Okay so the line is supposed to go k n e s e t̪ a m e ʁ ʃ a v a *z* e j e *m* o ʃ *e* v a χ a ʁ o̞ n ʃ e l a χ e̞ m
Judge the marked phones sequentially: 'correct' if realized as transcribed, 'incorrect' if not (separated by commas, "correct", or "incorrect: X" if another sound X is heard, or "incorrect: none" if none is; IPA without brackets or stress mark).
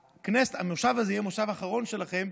correct, correct, incorrect: a